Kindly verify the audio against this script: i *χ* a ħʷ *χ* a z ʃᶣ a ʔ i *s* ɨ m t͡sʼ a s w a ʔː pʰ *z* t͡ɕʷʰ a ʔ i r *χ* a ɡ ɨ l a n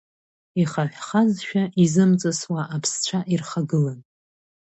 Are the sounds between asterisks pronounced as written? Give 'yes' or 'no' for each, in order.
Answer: yes, yes, no, no, yes

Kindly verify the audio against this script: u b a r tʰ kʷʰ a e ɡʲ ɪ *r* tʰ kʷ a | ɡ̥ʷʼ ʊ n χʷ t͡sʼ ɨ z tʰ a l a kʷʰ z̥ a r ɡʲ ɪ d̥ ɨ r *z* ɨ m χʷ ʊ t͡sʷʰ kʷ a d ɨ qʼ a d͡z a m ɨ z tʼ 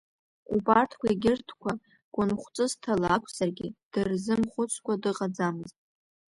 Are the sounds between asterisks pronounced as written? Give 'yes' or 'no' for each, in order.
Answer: yes, yes

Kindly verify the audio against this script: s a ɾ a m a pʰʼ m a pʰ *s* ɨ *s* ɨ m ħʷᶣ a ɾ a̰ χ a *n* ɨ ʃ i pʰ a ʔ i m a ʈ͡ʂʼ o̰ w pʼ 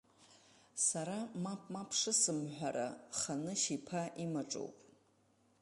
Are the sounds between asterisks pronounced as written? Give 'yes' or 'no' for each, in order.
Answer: no, yes, yes

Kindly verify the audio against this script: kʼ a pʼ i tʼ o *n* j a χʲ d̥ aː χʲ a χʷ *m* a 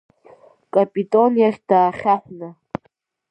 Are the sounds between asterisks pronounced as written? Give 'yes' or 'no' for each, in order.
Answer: yes, no

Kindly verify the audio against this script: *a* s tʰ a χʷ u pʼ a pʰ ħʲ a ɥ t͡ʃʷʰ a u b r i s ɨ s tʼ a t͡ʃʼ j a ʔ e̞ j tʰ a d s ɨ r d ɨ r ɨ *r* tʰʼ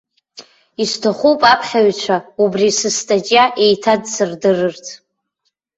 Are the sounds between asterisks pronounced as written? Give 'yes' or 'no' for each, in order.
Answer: no, yes

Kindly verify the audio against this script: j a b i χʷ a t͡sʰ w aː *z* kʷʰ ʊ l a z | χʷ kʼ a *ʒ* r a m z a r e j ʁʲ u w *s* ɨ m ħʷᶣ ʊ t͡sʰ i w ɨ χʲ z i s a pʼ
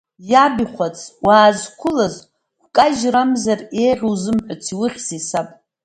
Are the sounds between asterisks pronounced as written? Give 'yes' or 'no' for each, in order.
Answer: yes, yes, no

